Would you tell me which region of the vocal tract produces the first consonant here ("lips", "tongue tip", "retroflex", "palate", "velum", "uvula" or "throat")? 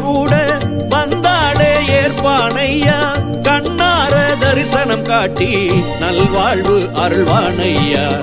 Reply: velum